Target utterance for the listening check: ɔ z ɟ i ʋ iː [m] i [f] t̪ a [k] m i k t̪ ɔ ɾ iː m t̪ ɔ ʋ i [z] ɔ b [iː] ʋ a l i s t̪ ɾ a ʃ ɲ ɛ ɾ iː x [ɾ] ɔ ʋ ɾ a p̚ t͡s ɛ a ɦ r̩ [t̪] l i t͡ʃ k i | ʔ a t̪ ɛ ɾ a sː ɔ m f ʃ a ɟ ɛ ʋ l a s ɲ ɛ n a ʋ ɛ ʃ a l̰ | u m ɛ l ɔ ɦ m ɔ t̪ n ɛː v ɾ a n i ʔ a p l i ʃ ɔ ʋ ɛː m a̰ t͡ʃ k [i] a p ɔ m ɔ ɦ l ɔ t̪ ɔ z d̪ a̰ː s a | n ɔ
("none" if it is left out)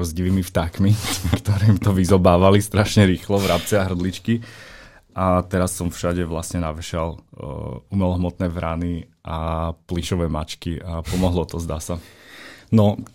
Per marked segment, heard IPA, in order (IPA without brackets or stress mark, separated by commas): m, f, k, z, aː, l, d̪, i